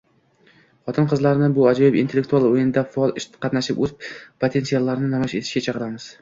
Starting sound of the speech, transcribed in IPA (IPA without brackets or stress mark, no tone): χ